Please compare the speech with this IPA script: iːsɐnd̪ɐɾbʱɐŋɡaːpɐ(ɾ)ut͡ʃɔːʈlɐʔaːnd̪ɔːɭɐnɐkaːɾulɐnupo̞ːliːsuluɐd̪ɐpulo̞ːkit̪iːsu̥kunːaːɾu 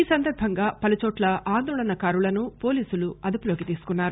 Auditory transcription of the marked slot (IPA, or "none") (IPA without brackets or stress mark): l